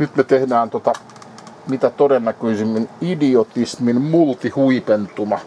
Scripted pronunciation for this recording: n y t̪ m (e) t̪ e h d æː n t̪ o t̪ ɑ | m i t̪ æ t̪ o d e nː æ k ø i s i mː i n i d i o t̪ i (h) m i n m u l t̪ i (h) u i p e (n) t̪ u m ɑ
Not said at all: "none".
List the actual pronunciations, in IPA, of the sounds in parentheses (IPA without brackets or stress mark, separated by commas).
e, s, h, n